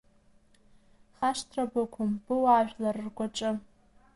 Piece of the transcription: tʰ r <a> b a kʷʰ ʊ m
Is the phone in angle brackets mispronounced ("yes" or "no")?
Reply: no